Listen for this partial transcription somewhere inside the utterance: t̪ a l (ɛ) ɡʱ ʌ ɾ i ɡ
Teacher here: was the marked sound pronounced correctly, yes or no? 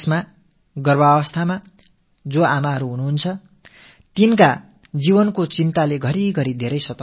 no